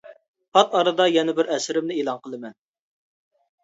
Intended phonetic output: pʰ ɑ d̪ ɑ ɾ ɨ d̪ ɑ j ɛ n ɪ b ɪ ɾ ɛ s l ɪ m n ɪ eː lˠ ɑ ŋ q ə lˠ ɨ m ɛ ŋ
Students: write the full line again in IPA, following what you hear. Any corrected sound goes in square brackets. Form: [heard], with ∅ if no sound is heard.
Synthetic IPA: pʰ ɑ [t̪] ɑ ɾ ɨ d̪ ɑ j ɛ n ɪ b ɪ ɾ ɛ s [ɾ] ɪ m n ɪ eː lˠ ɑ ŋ q ə lˠ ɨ m ɛ [n]